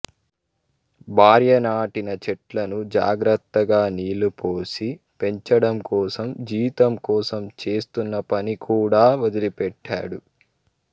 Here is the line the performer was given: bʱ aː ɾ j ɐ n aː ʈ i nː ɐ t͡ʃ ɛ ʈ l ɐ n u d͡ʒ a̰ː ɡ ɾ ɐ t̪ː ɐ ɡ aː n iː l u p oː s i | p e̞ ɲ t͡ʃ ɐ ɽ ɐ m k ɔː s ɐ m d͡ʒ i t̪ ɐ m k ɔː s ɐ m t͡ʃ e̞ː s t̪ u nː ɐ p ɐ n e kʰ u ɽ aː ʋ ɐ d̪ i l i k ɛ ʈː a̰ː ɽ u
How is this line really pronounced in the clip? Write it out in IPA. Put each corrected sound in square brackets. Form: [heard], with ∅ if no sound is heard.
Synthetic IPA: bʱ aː ɾ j ɐ n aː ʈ i [n] ɐ t͡ʃ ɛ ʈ l ɐ n u d͡ʒ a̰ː ɡ ɾ ɐ t̪ː ɐ ɡ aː n iː l u p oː s i | p e̞ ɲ t͡ʃ ɐ ɽ ɐ m k ɔː s ɐ m d͡ʒ [iː] t̪ ɐ m k ɔː s ɐ m t͡ʃ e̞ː s t̪ u nː ɐ p ɐ n [i] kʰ [uː] ɽ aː ʋ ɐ d̪ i l i [p] ɛ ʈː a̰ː ɽ u